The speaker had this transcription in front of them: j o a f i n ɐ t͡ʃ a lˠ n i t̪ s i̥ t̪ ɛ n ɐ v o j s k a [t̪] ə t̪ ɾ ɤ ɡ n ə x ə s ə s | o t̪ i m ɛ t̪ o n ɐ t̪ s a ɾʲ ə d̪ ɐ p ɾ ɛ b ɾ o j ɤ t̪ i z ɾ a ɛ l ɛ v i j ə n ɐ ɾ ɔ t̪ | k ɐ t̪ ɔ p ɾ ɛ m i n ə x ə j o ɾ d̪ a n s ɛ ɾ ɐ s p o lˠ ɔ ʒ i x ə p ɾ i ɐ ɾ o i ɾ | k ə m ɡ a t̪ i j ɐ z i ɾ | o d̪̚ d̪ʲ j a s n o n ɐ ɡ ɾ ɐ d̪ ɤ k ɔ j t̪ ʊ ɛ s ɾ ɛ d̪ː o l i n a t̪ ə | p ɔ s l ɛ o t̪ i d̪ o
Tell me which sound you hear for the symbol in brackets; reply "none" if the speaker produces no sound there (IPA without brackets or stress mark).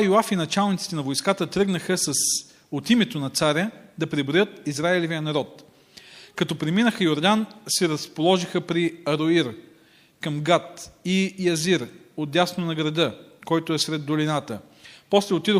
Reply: t̪